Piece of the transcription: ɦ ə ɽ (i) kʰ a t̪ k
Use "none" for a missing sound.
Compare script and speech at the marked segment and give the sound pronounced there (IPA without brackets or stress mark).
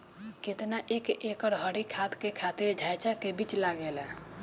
i